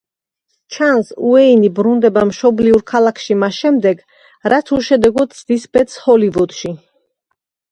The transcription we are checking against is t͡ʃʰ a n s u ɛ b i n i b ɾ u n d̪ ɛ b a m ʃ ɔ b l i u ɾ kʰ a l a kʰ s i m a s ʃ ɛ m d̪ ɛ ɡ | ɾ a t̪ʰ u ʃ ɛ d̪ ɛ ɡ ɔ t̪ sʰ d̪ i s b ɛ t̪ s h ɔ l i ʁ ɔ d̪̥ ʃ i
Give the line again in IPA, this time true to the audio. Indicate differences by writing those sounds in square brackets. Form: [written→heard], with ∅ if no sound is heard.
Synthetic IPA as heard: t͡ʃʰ a n s u ɛ [b→∅] i n i b ɾ u n d̪ ɛ b a m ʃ ɔ b l i u ɾ kʰ a l a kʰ [s→ʃ] i m a s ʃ ɛ m d̪ ɛ ɡ | ɾ a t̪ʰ u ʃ ɛ d̪ ɛ ɡ ɔ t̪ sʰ d̪ i s b ɛ t̪ s h ɔ l i [ʁ→v] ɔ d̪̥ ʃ i

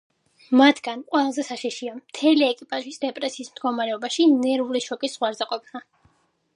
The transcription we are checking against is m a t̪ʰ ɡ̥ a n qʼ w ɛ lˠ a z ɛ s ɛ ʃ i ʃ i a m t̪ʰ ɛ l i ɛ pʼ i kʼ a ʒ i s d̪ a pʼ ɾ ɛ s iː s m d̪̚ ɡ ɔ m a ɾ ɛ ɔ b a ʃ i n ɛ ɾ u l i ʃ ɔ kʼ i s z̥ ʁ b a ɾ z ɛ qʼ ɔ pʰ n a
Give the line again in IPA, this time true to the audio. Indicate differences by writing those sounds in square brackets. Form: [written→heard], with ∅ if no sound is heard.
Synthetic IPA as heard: m a t̪ʰ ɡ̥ a n qʼ w ɛ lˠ a z ɛ s [ɛ→a] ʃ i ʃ i a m t̪ʰ ɛ l i ɛ [pʼ→kʼ] i [kʼ→pʼ] a ʒ i s d̪ [a→ɛ] pʼ ɾ ɛ s iː s m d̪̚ ɡ ɔ m a ɾ ɛ ɔ b a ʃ i n ɛ ɾ u l i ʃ ɔ kʼ i s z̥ ʁ [b→w] a ɾ z ɛ qʼ ɔ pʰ n a

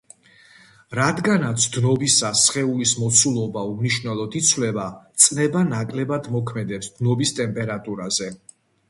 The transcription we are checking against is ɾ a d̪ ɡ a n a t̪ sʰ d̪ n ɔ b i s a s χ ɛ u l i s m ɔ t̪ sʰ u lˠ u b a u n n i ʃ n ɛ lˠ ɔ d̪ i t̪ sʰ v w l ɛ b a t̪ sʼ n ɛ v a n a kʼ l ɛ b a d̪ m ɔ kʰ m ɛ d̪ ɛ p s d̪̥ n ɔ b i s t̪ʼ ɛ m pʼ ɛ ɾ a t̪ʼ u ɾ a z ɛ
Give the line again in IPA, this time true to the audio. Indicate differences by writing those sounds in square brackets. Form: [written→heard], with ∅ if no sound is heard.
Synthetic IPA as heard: ɾ a d̪ ɡ a n a t̪ sʰ d̪ n ɔ b i s a s χ ɛ u l i s m ɔ t̪ sʰ u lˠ [u→ɔ] b a u [n→m] n i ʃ n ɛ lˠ ɔ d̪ i t̪ sʰ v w l ɛ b a t̪ sʼ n ɛ [v→b] a n a kʼ l ɛ b a d̪ m ɔ kʰ m ɛ d̪ ɛ p s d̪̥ n ɔ b i s t̪ʼ ɛ m pʼ ɛ ɾ a t̪ʼ u ɾ a z ɛ

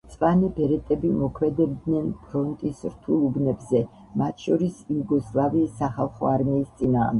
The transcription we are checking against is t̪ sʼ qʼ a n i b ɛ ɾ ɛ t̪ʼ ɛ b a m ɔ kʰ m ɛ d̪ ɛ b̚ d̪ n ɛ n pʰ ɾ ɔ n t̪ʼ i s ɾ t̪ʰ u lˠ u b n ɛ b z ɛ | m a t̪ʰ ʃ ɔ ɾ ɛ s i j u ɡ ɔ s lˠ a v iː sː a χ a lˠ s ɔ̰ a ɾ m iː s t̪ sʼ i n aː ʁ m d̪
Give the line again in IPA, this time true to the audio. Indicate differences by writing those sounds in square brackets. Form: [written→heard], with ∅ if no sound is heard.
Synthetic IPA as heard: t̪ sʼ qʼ a n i b ɛ ɾ ɛ t̪ʼ ɛ b [a→i] m ɔ kʰ m ɛ d̪ ɛ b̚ d̪ n ɛ n pʰ ɾ ɔ n t̪ʼ i s ɾ t̪ʰ u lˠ u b n ɛ b z ɛ | m a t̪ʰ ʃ ɔ ɾ [ɛ→i] s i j u ɡ ɔ s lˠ a v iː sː a χ a lˠ [s→χ] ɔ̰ a ɾ m iː s t̪ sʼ i n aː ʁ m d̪

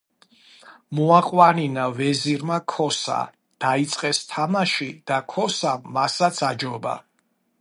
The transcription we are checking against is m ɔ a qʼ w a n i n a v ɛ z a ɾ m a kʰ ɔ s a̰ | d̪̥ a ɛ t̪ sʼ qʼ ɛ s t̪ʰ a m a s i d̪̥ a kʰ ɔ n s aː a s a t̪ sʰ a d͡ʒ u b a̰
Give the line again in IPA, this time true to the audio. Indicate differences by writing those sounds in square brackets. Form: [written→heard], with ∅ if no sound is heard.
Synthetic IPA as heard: m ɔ a qʼ w a n i n a v ɛ z [a→i] ɾ m a kʰ ɔ s a̰ | d̪̥ a [ɛ→i] t̪ sʼ qʼ ɛ s t̪ʰ a m a [s→ʃ] i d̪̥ a kʰ ɔ [n→∅] s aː a s a t̪ sʰ a d͡ʒ [u→ɔ] b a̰

